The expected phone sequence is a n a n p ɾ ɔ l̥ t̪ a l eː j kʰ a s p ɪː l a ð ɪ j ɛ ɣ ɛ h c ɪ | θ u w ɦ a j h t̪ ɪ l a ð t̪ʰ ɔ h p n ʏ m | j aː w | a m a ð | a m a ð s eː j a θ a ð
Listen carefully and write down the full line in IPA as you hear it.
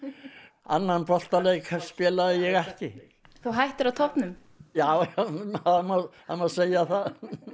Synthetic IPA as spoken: a nː a n p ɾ ɔ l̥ t̪ a l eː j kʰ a s p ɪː l a ð ɪ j ɛ ɣ ɛ h c ɪ | θ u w ɦ a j h t̪ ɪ ɾ a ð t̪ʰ ɔ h p n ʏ m | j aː w | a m a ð | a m a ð s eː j a θ a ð

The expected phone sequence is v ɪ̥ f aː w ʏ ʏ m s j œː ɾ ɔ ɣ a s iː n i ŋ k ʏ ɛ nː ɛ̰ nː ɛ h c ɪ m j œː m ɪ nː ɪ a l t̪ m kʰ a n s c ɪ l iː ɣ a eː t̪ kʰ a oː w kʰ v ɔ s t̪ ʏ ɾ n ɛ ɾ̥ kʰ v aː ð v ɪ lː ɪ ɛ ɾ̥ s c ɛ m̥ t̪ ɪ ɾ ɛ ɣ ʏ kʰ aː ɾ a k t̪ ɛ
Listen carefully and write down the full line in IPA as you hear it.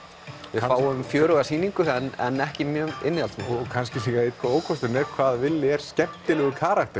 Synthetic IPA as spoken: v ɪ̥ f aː w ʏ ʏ m f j œː ɾ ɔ ɣ a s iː n i ŋ k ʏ ɛ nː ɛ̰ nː ɛ h c ɪ m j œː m ɪ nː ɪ a l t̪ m kʰ a n s c ɪ l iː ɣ a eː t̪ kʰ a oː w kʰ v ɔ s t̪ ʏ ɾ n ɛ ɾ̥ kʰ v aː ð v ɪ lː ɪ ɛ ɾ̥ s c ɛ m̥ t̪ ɪ l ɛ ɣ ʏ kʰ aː ɾ a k t̪ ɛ

